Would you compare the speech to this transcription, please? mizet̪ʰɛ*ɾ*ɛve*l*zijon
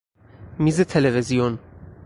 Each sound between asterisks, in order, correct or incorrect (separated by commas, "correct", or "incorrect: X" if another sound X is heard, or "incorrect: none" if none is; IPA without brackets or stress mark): incorrect: l, incorrect: none